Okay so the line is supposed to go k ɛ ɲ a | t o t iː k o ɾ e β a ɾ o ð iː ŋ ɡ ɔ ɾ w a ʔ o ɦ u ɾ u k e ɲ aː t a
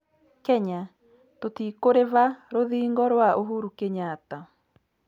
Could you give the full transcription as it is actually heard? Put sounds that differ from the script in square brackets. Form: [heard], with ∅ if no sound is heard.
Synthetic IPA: k ɛ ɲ a | t o t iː k o ɾ e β a ɾ o ð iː ŋ ɡ ɔ ɾ w a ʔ o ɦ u ɾ u k e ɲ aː t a

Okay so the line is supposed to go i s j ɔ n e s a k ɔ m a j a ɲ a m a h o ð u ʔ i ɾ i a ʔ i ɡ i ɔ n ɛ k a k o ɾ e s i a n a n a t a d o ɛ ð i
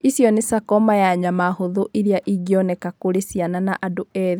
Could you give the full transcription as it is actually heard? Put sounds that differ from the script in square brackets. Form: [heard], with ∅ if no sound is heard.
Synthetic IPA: i s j ɔ n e s a k ɔ m a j a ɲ a m a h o ð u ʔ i ɾ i a ʔ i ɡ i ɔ n ɛ k a k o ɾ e s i a n a n a [ʔ] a d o ɛ ð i

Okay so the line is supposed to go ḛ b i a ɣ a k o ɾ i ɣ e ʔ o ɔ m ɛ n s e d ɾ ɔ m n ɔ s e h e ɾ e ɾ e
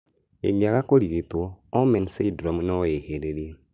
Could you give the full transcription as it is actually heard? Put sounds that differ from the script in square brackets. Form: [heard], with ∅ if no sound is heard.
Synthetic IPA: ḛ [ɡ] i a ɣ a k o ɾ i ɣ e [t] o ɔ m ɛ n s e d ɾ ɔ m n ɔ [∅] e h e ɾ e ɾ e

